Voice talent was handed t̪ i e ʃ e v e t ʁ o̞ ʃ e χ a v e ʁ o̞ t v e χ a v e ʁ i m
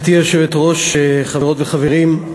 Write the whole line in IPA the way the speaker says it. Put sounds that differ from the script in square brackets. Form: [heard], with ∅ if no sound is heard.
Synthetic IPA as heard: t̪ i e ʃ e v e t ʁ o̞ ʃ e χ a v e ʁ o̞ t v e χ a v e ʁ i m